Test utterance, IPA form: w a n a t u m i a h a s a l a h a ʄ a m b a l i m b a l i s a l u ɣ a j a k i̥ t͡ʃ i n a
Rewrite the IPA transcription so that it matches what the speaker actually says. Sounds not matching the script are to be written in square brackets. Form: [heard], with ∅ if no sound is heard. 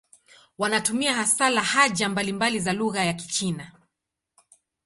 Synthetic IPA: w a n a t u m i a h a s a l a h a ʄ a m b a l i m b a l i [z] a l u ɣ a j a k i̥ t͡ʃ i n a